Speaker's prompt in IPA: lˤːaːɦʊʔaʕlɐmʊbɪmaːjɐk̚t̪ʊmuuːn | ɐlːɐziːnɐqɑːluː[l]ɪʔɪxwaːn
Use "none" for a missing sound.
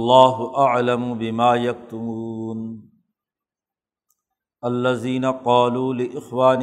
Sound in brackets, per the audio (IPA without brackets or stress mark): l